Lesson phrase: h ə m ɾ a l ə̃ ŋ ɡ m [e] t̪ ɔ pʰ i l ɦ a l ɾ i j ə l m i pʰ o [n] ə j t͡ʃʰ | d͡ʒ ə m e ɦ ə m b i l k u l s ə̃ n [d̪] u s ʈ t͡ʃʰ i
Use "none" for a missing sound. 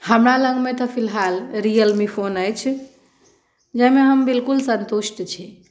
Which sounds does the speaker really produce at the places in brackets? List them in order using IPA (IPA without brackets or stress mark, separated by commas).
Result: e, n, t̪